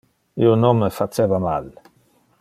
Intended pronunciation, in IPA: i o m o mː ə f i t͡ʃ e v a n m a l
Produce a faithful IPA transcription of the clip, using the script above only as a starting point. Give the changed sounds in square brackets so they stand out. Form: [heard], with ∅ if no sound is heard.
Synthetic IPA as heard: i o [n] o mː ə f [a] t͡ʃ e v a [∅] m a l

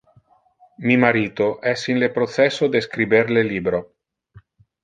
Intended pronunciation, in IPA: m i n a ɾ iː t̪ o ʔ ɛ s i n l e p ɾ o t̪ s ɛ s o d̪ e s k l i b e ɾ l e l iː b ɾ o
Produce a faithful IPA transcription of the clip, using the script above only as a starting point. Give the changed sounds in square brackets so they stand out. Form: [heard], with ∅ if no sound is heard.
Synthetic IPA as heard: m i [m] a ɾ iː t̪ o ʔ ɛ s i n l e p ɾ o t̪ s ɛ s o d̪ e s k [ɾ] i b e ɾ l e l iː b ɾ o

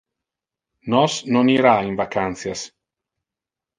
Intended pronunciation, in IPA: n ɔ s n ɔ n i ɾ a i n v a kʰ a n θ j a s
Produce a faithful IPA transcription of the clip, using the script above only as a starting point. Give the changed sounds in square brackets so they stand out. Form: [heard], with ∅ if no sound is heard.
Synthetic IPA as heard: n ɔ s n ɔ n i ɾ a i n v a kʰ a n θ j a s

